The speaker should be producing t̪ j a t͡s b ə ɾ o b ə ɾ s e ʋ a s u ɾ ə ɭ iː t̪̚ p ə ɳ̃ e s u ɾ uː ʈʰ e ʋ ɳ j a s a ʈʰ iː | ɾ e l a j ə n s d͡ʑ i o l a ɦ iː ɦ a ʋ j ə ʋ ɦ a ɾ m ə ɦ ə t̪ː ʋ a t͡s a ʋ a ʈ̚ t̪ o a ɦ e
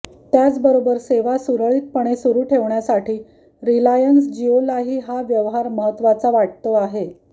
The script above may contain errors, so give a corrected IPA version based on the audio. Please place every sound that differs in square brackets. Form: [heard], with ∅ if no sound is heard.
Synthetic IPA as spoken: t̪ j a t͡s b ə ɾ o b ə ɾ s e ʋ a s u ɾ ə ɭ iː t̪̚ p ə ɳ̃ e s u ɾ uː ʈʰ e ʋ ɳ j a s a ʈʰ iː | ɾ [i] l a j ə n s d͡ʑ i o l a ɦ iː ɦ a ʋ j ə ʋ ɦ a ɾ m ə ɦ ə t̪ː ʋ a t͡s a ʋ a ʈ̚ t̪ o a ɦ e